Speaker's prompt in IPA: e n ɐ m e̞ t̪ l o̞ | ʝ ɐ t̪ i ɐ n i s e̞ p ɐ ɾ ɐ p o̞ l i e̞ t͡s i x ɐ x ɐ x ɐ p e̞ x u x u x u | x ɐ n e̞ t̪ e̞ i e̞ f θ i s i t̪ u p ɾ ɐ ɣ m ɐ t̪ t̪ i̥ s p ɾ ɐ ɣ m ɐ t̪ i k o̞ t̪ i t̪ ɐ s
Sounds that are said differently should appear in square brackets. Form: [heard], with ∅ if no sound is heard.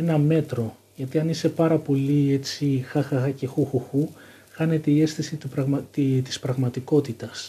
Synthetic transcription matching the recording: e n ɐ m e̞ t̪ [ɾ] o̞ | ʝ ɐ t̪ i ɐ n i s e̞ p ɐ ɾ ɐ p o̞ l i e̞ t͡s i x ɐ x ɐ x ɐ [c] e̞ x u x u x u | x ɐ n e̞ t̪ e̞ i e̞ [s] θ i s i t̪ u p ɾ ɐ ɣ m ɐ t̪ t̪ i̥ s p ɾ ɐ ɣ m ɐ t̪ i k o̞ t̪ i t̪ ɐ s